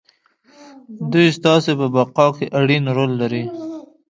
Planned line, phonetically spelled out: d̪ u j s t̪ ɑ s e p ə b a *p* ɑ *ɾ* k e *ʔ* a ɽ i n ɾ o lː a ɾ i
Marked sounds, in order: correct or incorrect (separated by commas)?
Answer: incorrect, incorrect, correct